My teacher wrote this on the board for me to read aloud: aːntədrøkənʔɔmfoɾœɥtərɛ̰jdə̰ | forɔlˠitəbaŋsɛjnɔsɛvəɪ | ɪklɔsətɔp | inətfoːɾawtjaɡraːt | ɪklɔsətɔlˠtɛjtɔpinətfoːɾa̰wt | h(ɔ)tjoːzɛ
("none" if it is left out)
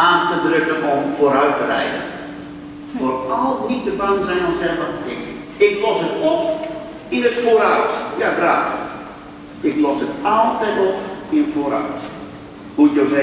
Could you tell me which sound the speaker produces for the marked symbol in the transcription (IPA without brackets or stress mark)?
u